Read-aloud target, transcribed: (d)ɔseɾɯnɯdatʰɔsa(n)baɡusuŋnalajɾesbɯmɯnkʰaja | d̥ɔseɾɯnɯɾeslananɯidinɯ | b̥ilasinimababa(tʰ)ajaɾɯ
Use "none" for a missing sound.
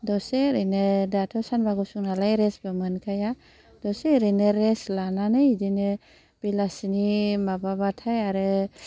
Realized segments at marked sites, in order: d, n, tʰ

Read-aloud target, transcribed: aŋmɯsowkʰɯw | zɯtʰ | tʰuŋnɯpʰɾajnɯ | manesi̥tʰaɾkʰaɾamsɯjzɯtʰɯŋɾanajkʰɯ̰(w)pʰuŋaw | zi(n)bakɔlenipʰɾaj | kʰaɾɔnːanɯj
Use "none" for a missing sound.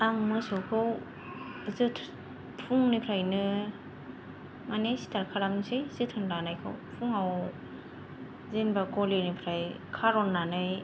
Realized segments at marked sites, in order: w, n

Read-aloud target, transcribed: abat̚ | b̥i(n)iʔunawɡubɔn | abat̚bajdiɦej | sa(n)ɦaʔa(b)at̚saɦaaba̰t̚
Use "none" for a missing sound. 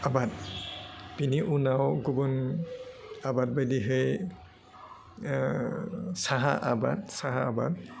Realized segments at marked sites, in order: n, none, b

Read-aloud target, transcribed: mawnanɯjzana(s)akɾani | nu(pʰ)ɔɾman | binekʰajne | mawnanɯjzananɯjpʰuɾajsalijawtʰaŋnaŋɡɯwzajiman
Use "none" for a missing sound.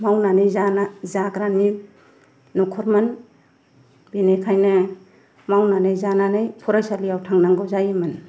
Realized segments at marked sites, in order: z, kʰ

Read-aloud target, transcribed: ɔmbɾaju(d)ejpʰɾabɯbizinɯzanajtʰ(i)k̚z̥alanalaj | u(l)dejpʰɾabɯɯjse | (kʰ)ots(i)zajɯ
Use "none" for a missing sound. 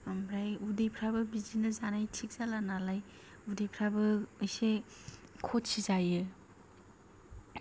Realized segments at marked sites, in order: d, i, none, kʰ, i

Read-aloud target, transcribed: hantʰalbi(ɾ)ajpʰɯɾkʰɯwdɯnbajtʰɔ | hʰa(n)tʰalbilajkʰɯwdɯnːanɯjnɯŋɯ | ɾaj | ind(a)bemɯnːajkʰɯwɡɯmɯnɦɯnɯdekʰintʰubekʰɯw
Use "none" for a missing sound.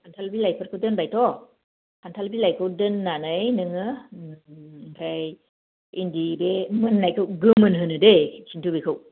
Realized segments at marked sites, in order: l, n, i

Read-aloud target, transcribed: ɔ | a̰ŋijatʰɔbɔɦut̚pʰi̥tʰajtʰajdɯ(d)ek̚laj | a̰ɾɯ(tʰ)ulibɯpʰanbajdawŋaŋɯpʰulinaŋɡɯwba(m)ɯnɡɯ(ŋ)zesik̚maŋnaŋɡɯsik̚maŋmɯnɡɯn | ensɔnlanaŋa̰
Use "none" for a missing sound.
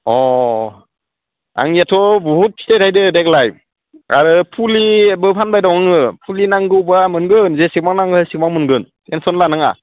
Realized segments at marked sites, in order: d, pʰ, m, n

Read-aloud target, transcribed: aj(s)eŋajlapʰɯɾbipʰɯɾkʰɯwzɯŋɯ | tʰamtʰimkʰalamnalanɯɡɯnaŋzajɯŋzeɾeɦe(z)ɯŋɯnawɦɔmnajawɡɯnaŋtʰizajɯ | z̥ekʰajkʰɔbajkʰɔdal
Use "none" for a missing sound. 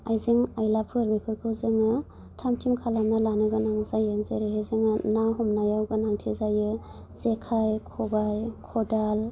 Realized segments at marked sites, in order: z, z

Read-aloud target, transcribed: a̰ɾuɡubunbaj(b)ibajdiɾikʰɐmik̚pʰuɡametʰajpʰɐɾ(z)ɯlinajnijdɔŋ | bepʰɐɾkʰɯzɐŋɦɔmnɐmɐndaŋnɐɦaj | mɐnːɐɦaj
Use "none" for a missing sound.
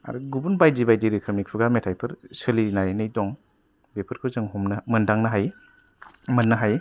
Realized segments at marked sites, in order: d, s

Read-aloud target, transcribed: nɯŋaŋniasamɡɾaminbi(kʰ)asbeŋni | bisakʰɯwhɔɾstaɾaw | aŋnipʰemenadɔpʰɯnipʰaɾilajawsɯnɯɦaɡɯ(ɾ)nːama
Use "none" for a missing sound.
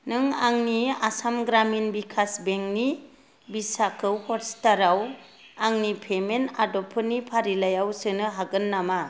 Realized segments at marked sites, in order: kʰ, none

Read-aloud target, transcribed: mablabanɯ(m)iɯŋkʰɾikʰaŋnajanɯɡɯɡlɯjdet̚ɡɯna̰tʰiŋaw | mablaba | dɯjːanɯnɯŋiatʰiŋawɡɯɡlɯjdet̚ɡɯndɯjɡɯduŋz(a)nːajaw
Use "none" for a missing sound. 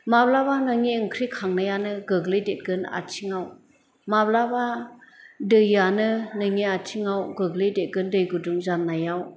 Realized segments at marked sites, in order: ŋ, a

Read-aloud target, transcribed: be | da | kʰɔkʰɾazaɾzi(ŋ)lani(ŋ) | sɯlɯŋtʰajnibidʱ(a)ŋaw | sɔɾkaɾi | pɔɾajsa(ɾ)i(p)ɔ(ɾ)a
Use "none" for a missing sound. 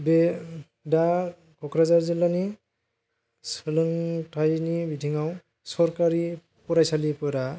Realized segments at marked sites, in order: none, none, i, l, p, ɾ

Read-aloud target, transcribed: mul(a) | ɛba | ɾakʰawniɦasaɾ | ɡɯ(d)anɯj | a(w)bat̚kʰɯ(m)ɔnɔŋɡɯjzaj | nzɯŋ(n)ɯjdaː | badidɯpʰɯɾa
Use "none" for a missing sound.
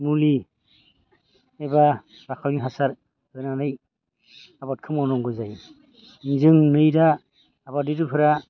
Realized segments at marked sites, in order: i, n, none, m, n

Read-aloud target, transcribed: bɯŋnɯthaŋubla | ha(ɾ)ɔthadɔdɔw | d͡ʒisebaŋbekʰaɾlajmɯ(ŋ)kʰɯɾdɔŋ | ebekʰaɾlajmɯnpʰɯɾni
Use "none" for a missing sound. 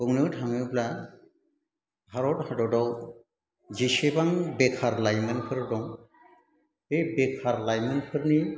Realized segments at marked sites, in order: ɾ, n

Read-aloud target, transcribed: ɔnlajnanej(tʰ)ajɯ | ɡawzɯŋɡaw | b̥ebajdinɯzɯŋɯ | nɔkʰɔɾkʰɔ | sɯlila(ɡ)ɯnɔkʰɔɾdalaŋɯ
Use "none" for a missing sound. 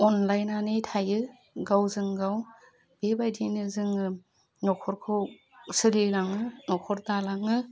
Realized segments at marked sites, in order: tʰ, ŋ

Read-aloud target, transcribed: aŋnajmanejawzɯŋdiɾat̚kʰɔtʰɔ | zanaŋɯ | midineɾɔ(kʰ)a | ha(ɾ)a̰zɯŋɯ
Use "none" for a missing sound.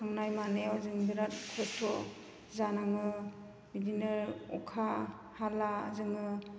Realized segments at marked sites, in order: kʰ, l

